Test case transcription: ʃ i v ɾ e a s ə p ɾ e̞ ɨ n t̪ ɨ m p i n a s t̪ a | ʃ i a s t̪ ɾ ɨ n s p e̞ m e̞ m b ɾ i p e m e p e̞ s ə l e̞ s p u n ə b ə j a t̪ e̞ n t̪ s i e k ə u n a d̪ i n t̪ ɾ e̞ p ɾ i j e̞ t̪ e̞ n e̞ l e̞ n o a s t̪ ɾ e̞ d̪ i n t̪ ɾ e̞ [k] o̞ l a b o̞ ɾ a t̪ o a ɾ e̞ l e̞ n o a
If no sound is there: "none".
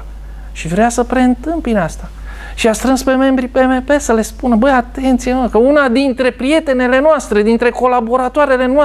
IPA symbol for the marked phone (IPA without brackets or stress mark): k